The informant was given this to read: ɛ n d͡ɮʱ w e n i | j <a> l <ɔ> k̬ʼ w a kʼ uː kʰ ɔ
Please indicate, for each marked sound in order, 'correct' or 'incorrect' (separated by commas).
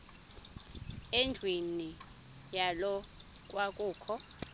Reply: correct, correct